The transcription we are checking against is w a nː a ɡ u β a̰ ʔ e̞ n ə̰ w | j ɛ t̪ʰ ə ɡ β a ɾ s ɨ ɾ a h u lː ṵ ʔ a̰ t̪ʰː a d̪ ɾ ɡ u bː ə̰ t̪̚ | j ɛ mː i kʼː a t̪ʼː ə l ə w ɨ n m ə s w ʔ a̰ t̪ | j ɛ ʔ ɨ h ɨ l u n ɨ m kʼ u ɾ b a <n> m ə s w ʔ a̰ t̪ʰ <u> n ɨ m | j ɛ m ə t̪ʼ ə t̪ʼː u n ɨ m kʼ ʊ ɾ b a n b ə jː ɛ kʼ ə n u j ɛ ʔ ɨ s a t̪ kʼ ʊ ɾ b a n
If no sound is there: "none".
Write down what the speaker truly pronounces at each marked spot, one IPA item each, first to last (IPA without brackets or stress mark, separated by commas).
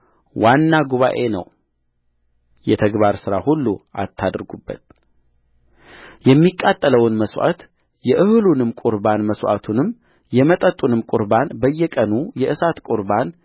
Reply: n, u